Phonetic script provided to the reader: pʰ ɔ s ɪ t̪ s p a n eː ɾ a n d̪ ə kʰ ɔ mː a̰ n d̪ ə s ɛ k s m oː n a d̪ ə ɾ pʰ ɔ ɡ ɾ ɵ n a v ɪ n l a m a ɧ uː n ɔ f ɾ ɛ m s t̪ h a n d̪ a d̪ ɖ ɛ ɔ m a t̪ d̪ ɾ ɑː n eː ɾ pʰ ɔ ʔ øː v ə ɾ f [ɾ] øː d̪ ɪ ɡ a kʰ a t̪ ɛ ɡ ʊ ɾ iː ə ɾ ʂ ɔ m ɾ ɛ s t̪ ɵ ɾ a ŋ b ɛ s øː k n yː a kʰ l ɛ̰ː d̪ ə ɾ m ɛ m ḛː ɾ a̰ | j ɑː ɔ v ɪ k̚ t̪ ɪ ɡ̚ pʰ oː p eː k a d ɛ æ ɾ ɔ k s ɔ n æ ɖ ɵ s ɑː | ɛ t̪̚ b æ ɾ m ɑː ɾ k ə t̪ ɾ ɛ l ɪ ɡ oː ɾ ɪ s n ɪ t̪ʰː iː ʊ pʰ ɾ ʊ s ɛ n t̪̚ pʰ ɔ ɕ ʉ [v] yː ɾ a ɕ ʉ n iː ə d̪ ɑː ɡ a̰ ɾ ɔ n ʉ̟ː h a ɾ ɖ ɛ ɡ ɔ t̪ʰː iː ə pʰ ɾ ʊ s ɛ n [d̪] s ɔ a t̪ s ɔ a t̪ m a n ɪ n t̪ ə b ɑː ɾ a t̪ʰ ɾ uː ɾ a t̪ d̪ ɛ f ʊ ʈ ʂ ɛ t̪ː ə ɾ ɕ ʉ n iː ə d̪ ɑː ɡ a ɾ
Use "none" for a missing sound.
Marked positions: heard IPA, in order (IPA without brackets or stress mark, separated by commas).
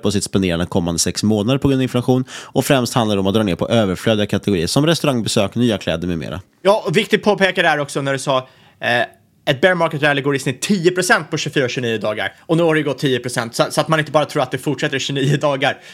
l, f, t̪